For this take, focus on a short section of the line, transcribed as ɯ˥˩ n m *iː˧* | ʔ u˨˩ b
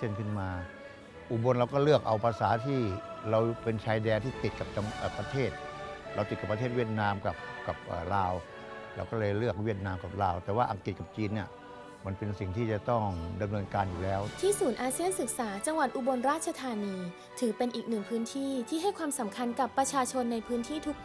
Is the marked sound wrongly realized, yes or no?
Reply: yes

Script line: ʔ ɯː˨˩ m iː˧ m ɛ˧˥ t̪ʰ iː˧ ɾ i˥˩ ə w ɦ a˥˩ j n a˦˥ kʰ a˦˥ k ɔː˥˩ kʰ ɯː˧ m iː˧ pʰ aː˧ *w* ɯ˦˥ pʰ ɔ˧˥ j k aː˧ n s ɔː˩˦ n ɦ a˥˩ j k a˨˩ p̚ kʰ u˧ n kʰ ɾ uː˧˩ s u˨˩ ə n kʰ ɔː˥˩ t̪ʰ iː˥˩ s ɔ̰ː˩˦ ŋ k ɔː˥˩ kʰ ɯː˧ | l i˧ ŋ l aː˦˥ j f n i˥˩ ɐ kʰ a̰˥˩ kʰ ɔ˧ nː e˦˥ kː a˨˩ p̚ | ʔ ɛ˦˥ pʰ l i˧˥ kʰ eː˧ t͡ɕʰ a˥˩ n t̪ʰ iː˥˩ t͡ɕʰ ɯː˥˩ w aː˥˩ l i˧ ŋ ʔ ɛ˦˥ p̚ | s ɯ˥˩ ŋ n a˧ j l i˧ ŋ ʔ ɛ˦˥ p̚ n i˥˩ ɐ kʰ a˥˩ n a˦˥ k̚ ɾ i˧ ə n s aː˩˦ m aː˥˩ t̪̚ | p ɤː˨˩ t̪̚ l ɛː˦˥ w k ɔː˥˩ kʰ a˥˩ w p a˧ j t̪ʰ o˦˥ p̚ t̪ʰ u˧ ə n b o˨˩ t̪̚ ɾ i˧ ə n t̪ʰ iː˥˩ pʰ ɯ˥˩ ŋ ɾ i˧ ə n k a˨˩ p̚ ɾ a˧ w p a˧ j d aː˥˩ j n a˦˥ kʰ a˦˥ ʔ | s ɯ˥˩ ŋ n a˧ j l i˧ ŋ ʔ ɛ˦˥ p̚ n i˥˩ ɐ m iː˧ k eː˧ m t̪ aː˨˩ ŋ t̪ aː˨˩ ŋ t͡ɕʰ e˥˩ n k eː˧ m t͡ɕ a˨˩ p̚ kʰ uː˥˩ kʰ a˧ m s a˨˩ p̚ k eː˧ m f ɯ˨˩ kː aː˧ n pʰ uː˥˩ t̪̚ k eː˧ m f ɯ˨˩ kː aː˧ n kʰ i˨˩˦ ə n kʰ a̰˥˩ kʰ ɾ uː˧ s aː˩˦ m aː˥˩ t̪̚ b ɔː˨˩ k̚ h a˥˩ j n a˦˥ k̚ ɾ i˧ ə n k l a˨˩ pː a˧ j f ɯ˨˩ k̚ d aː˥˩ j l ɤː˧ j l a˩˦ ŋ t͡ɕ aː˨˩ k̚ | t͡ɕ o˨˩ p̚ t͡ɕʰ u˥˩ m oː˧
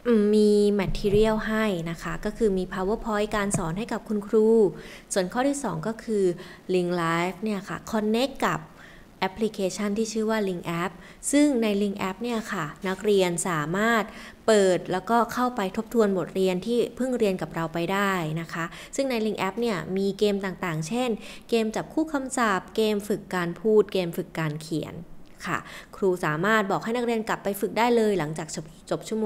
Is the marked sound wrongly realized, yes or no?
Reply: no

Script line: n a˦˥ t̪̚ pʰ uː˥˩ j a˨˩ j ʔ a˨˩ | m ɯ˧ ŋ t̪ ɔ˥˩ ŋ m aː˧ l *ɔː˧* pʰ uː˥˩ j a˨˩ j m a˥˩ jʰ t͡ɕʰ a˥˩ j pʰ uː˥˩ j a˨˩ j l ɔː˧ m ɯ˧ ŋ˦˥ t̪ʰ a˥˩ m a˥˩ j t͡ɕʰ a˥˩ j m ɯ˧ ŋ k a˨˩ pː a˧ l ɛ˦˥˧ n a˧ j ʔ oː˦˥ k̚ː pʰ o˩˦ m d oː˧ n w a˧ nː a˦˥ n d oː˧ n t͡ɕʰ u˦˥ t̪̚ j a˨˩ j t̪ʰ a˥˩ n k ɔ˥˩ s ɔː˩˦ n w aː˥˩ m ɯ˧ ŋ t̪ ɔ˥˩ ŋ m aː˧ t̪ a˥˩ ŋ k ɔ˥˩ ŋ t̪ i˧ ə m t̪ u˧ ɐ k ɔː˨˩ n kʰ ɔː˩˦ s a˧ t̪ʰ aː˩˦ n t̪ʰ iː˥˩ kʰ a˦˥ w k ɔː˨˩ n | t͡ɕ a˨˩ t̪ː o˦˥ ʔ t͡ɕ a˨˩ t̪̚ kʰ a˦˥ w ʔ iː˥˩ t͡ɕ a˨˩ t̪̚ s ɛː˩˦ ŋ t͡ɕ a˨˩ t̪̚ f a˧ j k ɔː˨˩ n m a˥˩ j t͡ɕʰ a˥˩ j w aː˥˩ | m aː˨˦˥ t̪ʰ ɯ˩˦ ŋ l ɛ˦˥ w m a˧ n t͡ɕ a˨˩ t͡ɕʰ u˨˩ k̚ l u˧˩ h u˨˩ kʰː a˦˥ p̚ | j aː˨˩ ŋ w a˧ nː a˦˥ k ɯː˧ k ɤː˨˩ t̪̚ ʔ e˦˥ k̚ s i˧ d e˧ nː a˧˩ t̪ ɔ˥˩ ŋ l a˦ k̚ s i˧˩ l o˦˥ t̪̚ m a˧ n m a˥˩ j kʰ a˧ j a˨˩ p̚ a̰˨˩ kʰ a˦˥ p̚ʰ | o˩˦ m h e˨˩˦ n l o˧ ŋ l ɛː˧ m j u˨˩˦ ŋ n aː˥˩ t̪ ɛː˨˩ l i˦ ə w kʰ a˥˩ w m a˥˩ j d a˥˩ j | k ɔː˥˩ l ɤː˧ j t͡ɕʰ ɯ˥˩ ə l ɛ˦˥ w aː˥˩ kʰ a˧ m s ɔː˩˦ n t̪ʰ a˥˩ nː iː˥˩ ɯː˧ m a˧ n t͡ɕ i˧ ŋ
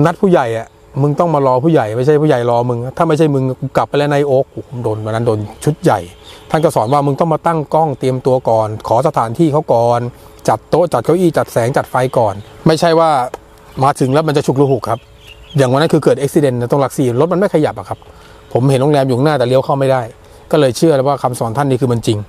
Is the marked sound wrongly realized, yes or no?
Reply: no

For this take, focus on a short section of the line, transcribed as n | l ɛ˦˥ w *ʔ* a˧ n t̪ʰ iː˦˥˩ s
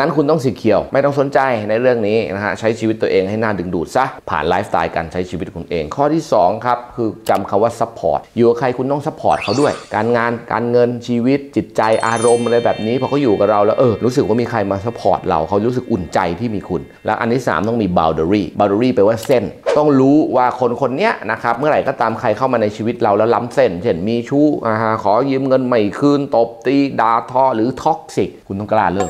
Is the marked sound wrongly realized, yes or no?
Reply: no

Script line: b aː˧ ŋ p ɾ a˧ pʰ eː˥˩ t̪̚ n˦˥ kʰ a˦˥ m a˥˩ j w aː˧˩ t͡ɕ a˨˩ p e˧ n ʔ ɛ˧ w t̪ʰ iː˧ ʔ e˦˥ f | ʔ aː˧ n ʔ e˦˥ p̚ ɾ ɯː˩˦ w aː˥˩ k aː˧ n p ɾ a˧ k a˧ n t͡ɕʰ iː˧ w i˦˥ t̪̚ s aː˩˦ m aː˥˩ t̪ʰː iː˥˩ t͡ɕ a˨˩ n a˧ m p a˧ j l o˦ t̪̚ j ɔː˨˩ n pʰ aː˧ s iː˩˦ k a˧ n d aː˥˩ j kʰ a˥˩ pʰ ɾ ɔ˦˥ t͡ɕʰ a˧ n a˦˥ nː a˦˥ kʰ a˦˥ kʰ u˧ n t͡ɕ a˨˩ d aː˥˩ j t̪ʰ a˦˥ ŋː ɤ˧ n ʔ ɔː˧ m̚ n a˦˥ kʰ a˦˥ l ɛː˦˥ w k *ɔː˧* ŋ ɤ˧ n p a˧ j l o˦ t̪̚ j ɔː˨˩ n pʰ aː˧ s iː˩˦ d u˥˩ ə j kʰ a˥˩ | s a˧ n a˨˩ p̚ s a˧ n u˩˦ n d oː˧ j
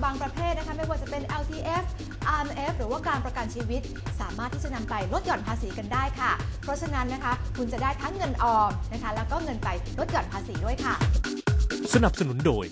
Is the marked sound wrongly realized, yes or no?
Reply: yes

